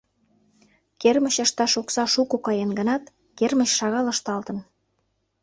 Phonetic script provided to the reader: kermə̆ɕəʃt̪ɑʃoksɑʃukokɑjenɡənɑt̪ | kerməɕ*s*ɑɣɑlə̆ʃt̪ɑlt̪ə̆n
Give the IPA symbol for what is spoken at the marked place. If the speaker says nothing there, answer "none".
ʃ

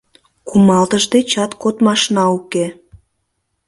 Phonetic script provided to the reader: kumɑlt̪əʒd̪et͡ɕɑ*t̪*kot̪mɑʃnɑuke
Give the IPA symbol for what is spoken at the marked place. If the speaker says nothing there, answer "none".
t̪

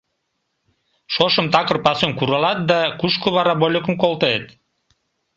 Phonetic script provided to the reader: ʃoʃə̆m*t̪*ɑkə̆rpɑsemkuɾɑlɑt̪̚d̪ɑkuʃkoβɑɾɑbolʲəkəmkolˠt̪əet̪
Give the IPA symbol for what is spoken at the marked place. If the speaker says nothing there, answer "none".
t̪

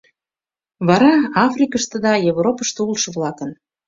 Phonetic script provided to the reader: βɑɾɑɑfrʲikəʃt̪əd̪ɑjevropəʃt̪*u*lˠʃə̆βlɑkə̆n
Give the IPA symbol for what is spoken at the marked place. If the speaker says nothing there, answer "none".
u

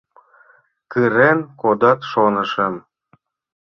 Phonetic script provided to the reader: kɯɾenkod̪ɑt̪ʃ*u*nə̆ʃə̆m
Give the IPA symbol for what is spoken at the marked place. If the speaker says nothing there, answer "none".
o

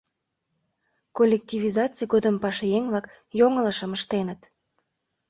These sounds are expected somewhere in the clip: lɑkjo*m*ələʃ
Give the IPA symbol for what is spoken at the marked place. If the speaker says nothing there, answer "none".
ŋ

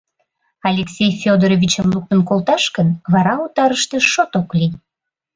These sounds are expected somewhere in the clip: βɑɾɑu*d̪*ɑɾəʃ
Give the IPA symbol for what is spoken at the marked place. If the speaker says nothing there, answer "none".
t̪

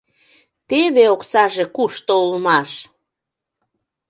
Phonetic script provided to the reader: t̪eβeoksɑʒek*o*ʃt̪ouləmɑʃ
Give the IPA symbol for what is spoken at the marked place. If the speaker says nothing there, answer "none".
u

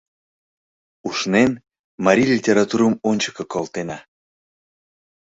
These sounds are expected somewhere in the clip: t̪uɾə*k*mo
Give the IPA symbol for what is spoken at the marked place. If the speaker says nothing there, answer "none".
none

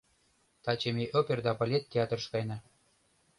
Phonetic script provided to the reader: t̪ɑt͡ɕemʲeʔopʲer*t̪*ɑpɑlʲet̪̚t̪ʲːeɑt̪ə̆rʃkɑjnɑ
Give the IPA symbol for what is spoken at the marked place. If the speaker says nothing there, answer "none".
d̪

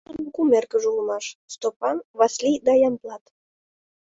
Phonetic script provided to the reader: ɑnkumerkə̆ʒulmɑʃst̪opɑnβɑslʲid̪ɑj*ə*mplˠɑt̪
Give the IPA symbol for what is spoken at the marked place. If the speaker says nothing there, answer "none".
ɑ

